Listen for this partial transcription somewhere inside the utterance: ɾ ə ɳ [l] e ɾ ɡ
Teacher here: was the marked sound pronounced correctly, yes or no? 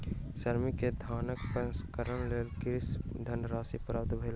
yes